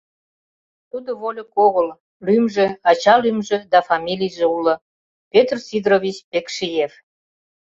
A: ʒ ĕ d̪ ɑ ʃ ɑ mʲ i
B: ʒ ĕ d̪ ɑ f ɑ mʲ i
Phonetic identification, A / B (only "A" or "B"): B